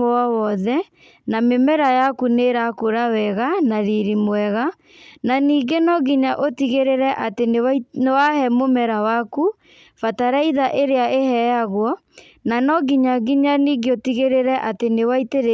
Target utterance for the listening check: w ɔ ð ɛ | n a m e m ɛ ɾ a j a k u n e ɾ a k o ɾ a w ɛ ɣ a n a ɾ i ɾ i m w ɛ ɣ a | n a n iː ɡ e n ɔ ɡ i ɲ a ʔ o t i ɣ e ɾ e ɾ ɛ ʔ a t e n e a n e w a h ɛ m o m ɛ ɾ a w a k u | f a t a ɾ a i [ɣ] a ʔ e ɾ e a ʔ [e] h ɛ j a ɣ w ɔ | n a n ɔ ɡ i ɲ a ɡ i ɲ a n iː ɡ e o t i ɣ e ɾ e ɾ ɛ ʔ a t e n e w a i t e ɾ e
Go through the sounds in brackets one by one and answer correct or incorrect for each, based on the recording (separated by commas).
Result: incorrect, correct